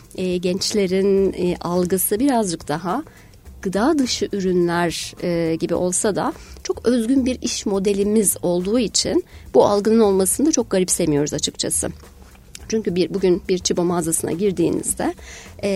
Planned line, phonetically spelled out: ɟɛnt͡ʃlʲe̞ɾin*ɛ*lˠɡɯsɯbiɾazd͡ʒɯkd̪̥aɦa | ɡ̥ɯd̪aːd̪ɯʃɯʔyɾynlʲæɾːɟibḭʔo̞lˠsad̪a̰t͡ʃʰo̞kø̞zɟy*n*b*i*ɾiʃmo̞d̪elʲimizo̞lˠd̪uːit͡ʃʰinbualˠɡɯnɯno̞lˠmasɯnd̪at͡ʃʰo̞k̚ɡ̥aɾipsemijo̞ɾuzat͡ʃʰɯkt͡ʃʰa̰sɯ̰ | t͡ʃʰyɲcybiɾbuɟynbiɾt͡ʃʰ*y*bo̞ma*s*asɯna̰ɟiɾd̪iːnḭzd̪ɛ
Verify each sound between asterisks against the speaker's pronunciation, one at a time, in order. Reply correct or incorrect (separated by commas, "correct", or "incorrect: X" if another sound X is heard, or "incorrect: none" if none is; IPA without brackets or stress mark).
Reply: incorrect: a, correct, correct, incorrect: i, incorrect: z